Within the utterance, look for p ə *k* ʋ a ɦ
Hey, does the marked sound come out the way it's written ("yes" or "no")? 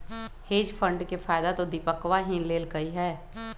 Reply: yes